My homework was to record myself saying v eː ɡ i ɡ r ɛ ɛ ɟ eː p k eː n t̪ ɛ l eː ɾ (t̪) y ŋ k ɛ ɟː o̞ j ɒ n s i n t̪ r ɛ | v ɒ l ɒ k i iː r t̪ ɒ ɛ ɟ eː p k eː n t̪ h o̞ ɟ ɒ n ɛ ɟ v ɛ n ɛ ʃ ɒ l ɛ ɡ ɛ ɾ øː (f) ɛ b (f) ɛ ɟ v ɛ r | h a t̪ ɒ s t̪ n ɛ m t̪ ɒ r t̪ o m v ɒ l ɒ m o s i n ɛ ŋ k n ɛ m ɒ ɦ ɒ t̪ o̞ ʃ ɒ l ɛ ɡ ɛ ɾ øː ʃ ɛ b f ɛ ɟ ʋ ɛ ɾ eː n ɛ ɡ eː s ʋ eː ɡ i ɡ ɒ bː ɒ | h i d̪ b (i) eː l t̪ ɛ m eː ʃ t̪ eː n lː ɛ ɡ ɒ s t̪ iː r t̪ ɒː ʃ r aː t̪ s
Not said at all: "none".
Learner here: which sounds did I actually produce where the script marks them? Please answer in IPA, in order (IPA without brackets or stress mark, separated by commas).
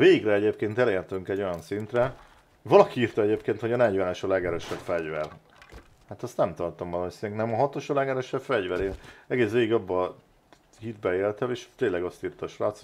t̪, ʃ, f, ɛ